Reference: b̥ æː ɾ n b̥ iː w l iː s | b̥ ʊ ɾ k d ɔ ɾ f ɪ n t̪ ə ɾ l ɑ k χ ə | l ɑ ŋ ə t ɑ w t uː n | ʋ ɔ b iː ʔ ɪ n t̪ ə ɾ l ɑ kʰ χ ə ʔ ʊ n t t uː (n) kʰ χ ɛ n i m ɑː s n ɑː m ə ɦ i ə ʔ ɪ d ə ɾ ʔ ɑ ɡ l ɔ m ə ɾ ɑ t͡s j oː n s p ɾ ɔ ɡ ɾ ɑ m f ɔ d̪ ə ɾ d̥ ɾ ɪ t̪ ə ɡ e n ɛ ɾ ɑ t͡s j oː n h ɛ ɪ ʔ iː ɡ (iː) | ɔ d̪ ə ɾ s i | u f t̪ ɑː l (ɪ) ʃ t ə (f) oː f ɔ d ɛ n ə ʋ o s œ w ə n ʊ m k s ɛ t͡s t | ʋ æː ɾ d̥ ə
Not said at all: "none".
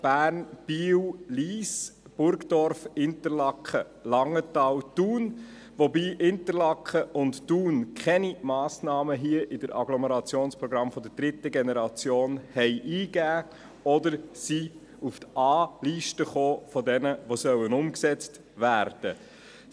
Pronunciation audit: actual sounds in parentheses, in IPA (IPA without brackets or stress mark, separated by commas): n, æː, i, χ